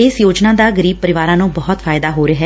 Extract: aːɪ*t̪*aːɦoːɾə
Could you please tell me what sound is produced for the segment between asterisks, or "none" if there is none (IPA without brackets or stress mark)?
d̪